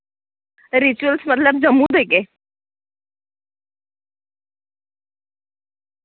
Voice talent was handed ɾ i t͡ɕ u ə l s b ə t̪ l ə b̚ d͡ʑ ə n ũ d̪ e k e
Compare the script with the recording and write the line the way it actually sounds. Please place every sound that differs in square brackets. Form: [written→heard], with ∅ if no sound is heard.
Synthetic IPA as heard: ɾ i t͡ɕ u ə l s [b→m] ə t̪ l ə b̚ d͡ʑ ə [n→m] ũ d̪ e k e